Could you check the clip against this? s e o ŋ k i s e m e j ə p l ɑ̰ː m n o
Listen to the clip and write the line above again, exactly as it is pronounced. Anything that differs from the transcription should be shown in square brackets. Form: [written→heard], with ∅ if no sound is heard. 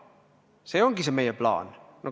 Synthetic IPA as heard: s e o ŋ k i s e m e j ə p l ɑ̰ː [m→n] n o

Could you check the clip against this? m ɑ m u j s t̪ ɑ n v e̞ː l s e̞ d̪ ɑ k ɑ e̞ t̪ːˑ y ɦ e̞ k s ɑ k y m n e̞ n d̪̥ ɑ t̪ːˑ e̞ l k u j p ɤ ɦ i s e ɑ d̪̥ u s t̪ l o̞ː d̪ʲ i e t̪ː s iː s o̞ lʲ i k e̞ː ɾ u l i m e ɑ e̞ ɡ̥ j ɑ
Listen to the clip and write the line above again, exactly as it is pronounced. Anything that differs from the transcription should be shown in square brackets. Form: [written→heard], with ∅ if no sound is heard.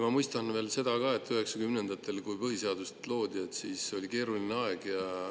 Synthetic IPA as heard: m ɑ m u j s t̪ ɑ n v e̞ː l s e̞ d̪ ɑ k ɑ e̞ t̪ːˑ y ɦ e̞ k s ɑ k y m n e̞ n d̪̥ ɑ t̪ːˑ e̞ l k u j p ɤ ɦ i s e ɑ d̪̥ u s t̪ l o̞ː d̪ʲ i e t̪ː s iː s o̞ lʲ i k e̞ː ɾ u l i [m→n] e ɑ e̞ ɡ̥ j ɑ

